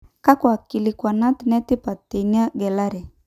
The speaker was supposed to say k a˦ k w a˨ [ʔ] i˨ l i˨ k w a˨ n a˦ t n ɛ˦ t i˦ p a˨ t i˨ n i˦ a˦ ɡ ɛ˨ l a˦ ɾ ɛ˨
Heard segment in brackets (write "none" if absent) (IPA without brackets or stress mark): k